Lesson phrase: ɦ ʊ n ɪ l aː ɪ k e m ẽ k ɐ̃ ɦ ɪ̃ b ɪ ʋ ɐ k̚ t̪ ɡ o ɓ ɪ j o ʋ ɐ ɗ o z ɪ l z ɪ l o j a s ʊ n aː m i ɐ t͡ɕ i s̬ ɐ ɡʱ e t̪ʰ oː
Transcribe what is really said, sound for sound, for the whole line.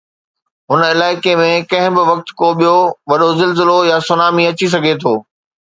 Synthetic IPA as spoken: ɦ ʊ n ɪ l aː ɪ k e m ẽ k ɐ̃ ɦ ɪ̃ b ɪ ʋ ɐ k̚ t̪ k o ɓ i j o ʋ ɐ ɗ o z ɪ l z ɪ l o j a s ʊ n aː m i ɐ t͡ɕ i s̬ ɐ ɡʱ e t̪ʰ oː

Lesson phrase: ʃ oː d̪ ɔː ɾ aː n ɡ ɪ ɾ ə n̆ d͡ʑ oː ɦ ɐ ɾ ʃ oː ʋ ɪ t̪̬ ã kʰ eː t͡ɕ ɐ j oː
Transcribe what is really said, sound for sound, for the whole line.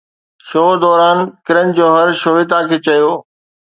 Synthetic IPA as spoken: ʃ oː d̪ ɔː ɾ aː n k ɪ ɾ ə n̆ d͡ʑ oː ɦ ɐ ɾ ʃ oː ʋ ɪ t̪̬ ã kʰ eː t͡ɕ ɐ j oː

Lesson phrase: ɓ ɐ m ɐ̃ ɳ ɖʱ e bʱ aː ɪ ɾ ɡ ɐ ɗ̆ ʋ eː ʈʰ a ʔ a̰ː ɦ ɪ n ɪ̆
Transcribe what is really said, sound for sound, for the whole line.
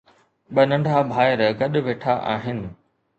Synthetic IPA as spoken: ɓ ɐ n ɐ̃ ɳ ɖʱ a bʱ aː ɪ ɾ ɡ ɐ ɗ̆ ʋ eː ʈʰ a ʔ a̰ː ɦ ɪ n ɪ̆

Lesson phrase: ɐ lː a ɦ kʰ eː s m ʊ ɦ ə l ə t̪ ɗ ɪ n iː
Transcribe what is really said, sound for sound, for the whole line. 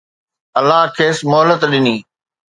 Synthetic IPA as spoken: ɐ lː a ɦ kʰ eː s m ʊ ɦ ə l ə t̪ ɗ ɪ n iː

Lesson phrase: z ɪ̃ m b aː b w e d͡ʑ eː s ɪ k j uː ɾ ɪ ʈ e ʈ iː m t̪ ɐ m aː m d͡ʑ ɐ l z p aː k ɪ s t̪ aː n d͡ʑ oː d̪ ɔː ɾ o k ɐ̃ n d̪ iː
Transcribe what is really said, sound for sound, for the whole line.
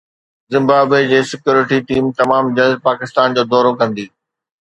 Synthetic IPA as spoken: z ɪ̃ m b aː b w e d͡ʑ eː s ɪ k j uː ɾ ɪ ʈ i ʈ iː m t̪ ɐ m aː m d͡ʑ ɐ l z p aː k ɪ s t̪ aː n d͡ʑ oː d̪ ɔː ɾ o k ɐ̃ n d̪ iː

